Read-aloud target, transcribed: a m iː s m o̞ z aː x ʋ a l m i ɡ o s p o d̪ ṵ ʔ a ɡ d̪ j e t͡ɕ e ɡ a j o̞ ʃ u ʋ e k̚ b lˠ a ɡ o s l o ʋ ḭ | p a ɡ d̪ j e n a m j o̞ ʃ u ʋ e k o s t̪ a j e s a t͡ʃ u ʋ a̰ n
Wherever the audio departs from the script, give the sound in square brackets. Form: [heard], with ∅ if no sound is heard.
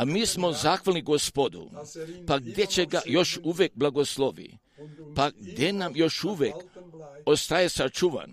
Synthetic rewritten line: a m iː s m o̞ z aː x ʋ a l [n] i ɡ o s p o d̪ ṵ [p] a ɡ d̪ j e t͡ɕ e ɡ a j o̞ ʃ u ʋ e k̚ b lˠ a ɡ o s l o ʋ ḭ | p a ɡ d̪ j e n a m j o̞ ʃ u ʋ e k o s t̪ a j e s a t͡ʃ u ʋ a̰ n